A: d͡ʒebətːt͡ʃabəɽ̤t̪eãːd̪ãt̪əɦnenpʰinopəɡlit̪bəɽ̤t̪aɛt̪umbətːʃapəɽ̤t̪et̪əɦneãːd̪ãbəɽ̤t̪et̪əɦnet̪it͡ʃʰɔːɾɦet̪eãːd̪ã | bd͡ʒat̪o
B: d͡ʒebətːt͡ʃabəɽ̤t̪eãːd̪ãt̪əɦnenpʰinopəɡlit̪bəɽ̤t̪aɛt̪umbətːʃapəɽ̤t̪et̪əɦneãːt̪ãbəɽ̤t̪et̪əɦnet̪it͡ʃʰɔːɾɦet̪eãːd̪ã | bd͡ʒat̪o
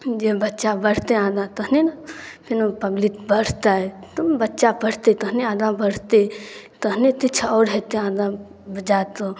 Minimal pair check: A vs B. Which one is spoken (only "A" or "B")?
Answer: A